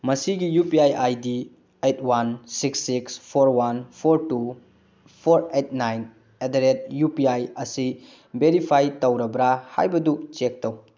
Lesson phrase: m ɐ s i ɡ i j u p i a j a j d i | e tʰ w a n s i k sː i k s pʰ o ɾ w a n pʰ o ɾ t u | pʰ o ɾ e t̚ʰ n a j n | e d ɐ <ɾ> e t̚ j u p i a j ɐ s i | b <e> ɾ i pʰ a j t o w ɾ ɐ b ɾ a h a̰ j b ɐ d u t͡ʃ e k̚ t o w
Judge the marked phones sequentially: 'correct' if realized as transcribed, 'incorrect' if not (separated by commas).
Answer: correct, correct